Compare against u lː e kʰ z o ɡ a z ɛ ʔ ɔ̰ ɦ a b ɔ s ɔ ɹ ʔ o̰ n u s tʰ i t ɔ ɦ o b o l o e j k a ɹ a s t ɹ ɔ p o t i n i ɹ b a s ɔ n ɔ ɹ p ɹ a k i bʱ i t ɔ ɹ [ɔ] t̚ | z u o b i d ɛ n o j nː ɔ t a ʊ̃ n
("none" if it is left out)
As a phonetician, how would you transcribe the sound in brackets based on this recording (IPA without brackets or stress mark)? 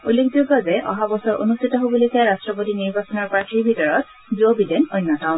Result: ɔ